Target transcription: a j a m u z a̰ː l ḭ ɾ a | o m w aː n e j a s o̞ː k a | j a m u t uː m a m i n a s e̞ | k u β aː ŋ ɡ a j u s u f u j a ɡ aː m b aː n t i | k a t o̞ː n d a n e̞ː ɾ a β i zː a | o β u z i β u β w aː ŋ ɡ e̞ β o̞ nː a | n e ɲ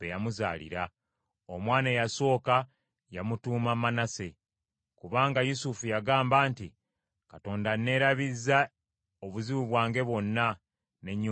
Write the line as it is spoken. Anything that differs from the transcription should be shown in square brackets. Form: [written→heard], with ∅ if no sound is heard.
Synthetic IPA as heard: [a→e] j a m u z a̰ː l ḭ ɾ a | o m w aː n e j a s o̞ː k a | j a m u t uː m a m [i→a] n a s e̞ | k u β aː ŋ ɡ a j u s u f u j a ɡ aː m b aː n t i | k a t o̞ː n d a n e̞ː ɾ a β i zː a | o β u z i β u β w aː ŋ ɡ e̞ β o̞ nː a | n e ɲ